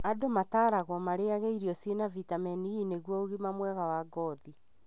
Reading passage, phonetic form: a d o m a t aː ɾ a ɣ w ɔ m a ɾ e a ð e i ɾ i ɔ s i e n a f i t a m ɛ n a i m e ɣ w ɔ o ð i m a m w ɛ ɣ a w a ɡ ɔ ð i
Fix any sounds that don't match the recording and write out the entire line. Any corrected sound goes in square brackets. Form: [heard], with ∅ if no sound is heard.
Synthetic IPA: a d o m a t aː ɾ a ɣ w ɔ m a ɾ e a [ɣ] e i ɾ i ɔ s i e n a [v] i t a m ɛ n [i] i [n] e ɣ w ɔ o [ɣ] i m a m w ɛ ɣ a w a ɡ ɔ ð i